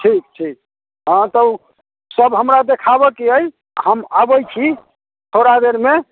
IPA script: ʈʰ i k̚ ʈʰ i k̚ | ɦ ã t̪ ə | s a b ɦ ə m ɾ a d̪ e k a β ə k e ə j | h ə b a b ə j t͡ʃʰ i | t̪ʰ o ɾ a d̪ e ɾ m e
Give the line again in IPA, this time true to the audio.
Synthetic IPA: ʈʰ i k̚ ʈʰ i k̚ | ɦ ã t̪ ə | s ə b ɦ ə m ɾ a d̪ e kʰ a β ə k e ə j | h ə m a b ə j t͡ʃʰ i | t̪ʰ o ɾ a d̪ e ɾ m e